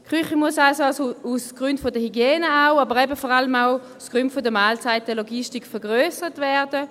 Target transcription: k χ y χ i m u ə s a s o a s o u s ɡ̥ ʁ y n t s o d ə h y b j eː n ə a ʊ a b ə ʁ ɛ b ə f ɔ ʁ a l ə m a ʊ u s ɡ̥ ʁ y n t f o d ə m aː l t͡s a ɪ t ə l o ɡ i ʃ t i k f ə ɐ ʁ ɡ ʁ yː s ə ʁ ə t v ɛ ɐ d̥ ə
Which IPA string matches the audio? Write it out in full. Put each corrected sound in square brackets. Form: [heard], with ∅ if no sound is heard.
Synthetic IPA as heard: k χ y χ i m u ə s a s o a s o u s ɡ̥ ʁ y n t [f] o d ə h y [ɡ] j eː n ə a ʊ a b ə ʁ ɛ b ə f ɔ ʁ a l ə m a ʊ u s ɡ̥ ʁ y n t f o d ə m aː l t͡s a ɪ t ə l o ɡ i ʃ t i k f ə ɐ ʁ ɡ ʁ [øː] s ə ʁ ə t v ɛ ɐ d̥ ə